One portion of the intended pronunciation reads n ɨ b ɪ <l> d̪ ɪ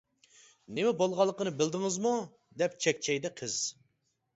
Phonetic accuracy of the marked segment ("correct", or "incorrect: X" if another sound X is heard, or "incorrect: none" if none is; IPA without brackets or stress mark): correct